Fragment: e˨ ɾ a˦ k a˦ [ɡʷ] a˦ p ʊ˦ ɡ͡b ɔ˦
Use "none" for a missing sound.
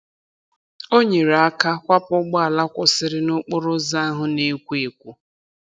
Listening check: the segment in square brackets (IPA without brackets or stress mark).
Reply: kʷ